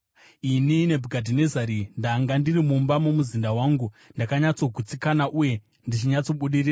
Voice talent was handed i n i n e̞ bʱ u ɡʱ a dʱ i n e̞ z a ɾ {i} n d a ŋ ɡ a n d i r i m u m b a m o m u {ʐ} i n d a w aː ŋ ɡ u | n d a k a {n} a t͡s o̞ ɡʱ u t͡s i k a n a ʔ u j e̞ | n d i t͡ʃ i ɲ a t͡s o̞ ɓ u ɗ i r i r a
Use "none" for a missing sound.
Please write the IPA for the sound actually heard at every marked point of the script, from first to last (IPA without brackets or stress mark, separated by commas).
i, z, ɲ